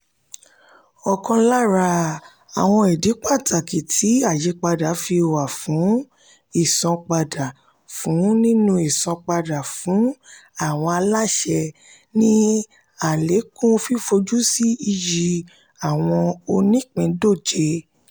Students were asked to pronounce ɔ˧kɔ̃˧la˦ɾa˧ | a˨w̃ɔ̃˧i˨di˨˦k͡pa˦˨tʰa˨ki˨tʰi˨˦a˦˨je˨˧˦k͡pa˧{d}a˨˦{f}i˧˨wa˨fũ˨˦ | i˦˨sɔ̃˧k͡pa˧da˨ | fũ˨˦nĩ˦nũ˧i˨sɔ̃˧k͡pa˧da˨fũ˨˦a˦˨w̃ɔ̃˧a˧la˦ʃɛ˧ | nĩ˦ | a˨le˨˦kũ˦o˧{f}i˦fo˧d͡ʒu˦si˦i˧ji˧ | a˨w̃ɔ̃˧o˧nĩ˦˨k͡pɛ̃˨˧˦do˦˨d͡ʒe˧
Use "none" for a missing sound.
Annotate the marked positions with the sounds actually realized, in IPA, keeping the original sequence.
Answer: d, f, f

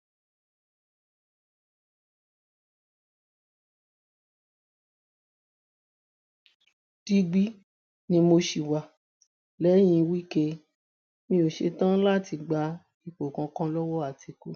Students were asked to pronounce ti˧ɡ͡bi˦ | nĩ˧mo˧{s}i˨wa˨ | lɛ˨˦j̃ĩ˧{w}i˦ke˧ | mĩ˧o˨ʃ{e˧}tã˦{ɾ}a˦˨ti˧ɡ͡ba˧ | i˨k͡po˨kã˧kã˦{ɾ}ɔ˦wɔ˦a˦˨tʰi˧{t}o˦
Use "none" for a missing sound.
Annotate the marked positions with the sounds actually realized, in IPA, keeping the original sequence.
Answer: ʃ, w, e˧, l, l, k

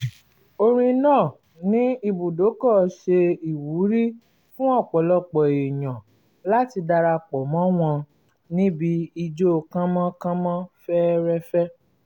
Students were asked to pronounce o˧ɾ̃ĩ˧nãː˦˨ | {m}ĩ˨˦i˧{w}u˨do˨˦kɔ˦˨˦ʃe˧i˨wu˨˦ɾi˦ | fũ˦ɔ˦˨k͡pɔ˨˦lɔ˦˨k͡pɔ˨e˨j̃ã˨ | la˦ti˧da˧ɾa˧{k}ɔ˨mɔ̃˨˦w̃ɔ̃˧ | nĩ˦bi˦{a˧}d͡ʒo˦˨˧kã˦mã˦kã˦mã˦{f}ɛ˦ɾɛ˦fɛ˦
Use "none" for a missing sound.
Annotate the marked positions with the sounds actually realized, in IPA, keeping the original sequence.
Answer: n, b, k͡p, i˧, f

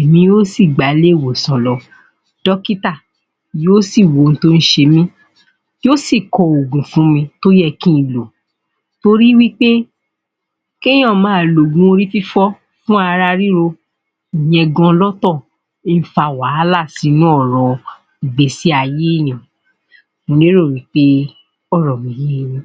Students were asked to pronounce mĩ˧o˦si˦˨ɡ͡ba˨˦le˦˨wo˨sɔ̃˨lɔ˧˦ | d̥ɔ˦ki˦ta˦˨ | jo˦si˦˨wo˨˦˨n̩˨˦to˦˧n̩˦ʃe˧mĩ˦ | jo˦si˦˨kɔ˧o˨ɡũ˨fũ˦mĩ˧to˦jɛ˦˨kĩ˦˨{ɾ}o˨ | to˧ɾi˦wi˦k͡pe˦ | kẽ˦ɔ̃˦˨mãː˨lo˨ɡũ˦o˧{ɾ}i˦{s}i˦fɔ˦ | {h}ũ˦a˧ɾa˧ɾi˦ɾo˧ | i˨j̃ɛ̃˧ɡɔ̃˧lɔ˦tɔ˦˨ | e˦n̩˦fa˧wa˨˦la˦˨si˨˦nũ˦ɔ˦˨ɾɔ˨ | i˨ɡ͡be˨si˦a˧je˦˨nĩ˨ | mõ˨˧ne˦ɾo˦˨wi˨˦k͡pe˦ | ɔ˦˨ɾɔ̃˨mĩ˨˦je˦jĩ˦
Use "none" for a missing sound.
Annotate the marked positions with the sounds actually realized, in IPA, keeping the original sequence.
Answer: l, ɾ, f, f

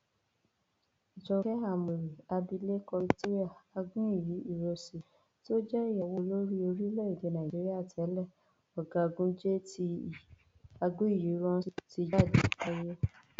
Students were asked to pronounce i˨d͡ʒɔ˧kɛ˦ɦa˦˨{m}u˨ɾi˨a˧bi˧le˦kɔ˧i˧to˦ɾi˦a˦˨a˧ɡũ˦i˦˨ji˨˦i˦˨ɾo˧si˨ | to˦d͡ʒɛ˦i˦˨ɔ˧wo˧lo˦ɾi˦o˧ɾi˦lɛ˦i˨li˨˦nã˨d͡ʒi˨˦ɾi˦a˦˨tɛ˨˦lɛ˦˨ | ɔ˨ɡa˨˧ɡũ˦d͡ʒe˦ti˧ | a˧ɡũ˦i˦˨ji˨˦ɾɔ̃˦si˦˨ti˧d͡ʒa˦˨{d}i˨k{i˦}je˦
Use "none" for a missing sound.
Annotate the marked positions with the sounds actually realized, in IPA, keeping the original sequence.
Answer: m, d, a˦

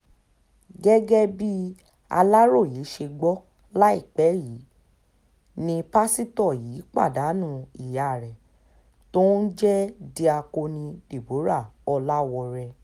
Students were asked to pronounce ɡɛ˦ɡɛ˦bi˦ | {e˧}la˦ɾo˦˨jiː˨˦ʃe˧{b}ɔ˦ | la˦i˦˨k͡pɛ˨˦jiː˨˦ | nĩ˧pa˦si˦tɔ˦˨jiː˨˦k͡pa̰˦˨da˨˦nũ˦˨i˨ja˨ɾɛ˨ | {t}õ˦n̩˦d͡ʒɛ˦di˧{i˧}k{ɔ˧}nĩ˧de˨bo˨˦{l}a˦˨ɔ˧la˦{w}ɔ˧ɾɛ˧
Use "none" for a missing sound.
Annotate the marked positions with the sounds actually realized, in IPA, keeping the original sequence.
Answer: a˧, ɡ͡b, t, a˧, o˧, ɾ, w

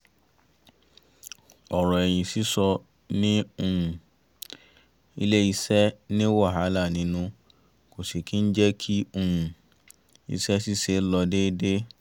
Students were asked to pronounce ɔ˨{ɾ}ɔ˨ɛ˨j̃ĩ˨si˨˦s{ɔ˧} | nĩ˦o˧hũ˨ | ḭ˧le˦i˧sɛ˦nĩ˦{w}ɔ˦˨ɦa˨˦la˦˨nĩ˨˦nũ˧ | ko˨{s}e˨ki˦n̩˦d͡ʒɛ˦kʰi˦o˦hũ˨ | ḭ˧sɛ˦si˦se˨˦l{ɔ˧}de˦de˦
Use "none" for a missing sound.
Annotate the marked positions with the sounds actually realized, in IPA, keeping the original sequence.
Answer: ɾ, ɔ˧, w, s, ɔ˧

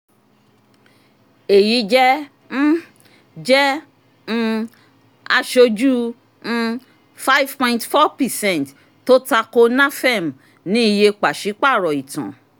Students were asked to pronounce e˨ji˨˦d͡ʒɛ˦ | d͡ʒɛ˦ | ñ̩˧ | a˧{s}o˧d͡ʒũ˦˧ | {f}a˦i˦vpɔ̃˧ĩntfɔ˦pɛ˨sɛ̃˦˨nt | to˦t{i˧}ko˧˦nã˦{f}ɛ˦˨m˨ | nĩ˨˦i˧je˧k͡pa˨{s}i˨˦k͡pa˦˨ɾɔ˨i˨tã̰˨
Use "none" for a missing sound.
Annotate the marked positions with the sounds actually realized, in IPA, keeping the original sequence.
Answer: ʃ, f, a˧, f, ʃ

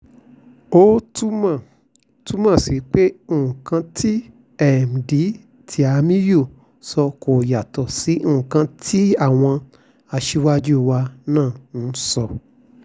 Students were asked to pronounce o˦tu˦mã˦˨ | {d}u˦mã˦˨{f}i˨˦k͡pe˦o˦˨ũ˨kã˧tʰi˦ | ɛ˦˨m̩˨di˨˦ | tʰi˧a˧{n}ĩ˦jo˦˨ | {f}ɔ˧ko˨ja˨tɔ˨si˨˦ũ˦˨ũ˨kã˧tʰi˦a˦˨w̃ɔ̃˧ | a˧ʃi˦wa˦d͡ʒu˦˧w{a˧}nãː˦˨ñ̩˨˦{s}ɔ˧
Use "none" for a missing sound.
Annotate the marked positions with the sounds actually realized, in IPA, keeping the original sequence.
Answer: t, s, m, s, a˧, s

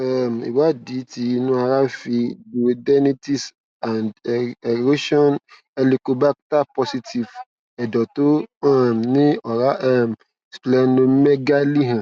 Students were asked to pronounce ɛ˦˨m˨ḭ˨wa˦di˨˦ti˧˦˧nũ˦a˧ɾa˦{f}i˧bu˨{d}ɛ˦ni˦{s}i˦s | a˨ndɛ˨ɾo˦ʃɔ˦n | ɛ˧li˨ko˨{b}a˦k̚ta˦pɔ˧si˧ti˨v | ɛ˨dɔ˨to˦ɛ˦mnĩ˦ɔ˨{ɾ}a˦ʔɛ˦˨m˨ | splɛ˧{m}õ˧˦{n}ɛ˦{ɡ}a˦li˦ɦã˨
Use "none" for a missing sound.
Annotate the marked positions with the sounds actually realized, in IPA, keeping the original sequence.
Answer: f, d, t, b, ɾ, n, m, ɡ

